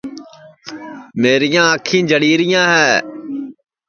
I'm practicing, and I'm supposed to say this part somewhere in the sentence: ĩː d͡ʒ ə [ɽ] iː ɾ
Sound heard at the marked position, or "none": ɽ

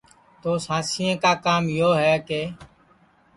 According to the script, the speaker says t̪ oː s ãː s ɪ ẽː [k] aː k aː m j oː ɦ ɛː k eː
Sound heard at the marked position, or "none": k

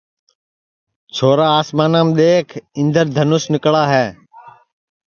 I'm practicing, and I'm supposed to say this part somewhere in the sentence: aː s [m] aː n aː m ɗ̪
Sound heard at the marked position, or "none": m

